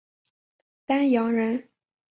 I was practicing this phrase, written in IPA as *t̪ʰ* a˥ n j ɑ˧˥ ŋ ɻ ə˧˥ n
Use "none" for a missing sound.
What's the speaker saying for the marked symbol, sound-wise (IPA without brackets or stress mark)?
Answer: t̪